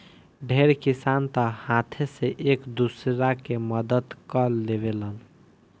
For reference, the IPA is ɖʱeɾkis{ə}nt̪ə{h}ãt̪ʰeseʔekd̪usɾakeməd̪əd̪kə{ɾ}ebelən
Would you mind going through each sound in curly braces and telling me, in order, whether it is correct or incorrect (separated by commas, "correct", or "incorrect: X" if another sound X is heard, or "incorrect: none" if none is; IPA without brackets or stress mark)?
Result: incorrect: a, correct, incorrect: l